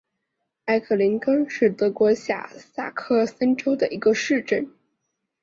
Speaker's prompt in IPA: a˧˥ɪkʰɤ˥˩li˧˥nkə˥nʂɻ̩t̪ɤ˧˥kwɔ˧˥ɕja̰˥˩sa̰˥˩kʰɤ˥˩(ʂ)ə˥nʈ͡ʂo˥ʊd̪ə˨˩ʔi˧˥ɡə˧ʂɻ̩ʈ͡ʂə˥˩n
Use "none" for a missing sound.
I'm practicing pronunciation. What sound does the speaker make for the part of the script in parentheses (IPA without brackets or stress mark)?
s